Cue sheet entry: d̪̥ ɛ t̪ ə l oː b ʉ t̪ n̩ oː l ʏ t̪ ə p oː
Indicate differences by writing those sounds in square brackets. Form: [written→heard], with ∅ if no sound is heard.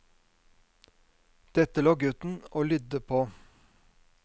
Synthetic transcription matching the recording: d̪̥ ɛ t̪ ə l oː [b→ɡ] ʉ t̪ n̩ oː l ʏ [t̪→d̪] ə [p→pʰ] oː

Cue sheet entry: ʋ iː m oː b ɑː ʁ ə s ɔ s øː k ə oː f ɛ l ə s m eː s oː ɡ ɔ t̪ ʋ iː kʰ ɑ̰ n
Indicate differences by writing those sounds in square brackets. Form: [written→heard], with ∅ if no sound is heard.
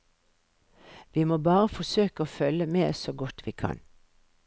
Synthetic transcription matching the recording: ʋ iː m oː b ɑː ʁ ə [s→f] ɔ s øː k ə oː f [ɛ→œ] l ə [s→∅] m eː s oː ɡ ɔ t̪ ʋ iː kʰ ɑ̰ n

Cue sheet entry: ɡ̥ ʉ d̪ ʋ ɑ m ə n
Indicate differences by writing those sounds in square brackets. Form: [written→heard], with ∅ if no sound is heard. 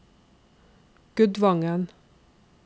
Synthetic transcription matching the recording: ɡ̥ ʉ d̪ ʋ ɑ [m→ŋ] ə n

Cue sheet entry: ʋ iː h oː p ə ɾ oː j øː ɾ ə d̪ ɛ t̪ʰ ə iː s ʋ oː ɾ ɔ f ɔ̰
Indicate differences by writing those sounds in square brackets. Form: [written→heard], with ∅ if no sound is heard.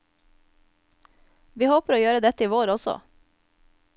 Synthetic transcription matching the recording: ʋ iː h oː p ə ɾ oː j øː ɾ ə d̪ ɛ [t̪ʰ→t̪] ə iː [s→∅] ʋ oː ɾ ɔ [f→s] ɔ̰

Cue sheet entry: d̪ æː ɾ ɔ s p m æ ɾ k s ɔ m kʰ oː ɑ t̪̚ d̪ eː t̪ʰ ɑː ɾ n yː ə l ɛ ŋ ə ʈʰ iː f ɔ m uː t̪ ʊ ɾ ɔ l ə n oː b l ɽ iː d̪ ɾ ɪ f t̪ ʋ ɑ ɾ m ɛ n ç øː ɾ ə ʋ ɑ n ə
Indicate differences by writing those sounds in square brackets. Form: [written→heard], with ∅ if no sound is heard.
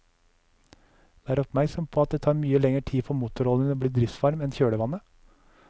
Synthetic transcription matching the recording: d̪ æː ɾ ɔ [s→∅] p m æ ɾ k s ɔ m [kʰ→pʰ] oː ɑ t̪̚ d̪ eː t̪ʰ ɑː ɾ [n→m] yː ə l ɛ ŋ ə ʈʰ iː f ɔ m uː t̪ ʊ ɾ ɔ l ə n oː b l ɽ iː d̪ ɾ ɪ f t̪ ʋ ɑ ɾ m ɛ n ç øː [ɾ→ɽ] ə ʋ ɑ n ə

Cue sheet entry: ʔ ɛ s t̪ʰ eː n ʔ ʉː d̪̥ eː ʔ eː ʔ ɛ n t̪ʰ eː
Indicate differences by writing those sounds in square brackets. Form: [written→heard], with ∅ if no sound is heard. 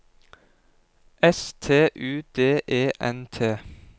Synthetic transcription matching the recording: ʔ ɛ s t̪ʰ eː [n→∅] ʔ ʉː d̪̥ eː ʔ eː ʔ ɛ n t̪ʰ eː

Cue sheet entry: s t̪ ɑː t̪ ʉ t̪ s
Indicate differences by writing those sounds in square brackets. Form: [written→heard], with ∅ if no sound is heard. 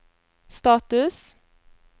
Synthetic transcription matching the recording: s t̪ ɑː t̪ ʉ [t̪→∅] s

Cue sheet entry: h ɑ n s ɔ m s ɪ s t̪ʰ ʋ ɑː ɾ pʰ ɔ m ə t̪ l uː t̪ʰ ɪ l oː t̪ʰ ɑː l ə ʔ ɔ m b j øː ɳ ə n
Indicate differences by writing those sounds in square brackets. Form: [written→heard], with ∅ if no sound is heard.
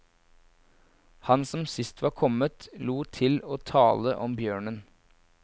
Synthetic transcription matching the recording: h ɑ n s ɔ m s ɪ s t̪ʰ ʋ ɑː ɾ [pʰ→kʰ] ɔ m ə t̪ l uː t̪ʰ ɪ l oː t̪ʰ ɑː l ə ʔ ɔ m b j øː ɳ ə n

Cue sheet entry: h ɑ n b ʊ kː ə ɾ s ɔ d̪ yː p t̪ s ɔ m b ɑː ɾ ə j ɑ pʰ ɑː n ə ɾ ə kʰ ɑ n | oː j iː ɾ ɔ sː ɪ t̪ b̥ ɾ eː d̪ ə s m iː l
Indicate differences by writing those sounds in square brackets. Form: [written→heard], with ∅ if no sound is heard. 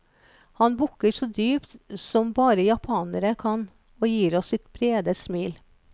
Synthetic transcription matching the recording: h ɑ n b ʊ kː ə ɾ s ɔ d̪ yː p t̪ s ɔ m b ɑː ɾ ə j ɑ pʰ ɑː n ə ɾ ə kʰ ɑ n | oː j iː ɾ ɔ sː ɪ t̪ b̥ ɾ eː d̪ ə s m iː l

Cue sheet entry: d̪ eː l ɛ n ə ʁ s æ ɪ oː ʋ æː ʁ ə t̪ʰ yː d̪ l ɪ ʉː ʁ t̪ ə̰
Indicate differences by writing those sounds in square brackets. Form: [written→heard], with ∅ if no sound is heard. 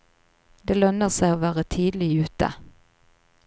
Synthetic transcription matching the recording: d̪ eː l [ɛ→œ] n ə ʁ s æ ɪ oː ʋ æː ʁ ə t̪ʰ [yː→iː] d̪ l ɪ ʉː [ʁ→∅] t̪ ə̰

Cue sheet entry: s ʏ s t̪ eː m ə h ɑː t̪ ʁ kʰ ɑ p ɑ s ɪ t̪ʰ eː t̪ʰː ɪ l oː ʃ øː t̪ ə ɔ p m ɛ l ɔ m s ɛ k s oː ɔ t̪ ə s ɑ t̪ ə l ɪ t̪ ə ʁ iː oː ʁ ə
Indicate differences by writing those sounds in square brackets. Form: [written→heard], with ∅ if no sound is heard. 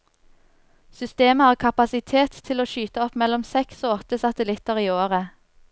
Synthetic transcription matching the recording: s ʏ s t̪ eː m ə h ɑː [t̪→∅] ʁ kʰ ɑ p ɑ s ɪ t̪ʰ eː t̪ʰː ɪ l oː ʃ [øː→yː] t̪ ə ɔ p m ɛ l ɔ m s ɛ k s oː ɔ t̪ ə s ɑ t̪ ə l ɪ t̪ ə ʁ iː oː ʁ ə

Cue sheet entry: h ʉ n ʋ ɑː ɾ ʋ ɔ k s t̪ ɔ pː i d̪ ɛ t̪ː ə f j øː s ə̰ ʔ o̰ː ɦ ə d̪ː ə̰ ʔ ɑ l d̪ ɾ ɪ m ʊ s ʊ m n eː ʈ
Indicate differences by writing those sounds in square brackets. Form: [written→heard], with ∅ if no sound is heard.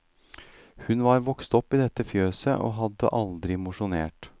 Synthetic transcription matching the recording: h ʉ n ʋ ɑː ɾ ʋ ɔ k s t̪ ɔ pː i d̪ ɛ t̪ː ə f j øː s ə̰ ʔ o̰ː ɦ [ə→ɑ] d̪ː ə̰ ʔ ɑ l d̪ ɾ ɪ m ʊ [s→ʂ] ʊ [m→∅] n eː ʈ

